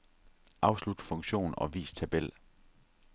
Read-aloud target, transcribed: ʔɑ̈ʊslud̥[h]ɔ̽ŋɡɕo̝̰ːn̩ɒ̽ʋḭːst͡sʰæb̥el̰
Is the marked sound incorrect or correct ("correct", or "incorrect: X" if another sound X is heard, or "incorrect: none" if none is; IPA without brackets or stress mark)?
incorrect: f